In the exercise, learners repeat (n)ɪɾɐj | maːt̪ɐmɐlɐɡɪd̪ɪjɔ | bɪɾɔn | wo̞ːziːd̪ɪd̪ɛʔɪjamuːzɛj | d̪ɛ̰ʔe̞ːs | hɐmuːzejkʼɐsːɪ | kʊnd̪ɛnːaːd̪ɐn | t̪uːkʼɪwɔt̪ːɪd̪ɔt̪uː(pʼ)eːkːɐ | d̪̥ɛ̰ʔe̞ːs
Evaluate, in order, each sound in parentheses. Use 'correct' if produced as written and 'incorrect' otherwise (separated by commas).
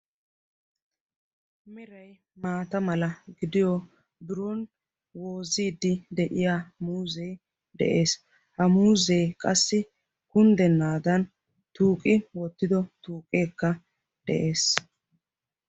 incorrect, incorrect